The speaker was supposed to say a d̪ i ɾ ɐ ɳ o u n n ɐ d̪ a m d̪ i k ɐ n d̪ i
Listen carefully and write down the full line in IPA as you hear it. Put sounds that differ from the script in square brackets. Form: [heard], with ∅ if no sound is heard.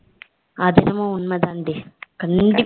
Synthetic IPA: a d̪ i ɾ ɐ [m] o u n [m] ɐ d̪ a [n] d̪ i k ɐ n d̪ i